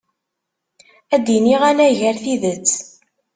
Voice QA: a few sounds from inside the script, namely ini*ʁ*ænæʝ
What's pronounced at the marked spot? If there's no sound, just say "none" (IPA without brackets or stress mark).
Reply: ʁ